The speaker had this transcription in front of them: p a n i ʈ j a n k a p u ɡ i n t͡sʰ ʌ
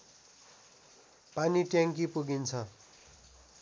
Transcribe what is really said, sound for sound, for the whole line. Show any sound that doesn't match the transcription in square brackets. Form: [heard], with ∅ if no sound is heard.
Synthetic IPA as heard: p a n i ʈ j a [ŋ] k [i] p u ɡ i n t͡sʰ ʌ